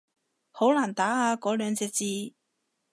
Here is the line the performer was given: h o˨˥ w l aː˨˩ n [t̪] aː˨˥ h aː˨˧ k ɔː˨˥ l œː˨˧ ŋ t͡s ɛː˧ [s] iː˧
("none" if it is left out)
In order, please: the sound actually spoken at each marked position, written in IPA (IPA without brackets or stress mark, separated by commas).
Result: t̪, t͡s